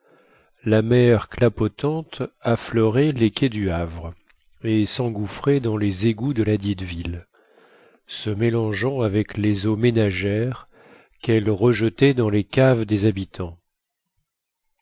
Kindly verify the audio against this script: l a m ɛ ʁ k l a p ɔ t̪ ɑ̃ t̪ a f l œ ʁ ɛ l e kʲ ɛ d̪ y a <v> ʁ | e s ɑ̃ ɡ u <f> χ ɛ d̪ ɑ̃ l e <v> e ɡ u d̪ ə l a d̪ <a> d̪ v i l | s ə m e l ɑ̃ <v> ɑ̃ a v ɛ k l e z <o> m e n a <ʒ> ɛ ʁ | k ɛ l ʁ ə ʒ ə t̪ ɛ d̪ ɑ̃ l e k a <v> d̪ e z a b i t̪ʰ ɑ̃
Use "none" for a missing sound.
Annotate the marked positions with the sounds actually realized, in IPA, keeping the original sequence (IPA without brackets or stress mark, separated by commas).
v, f, z, i, ʒ, o, ʒ, v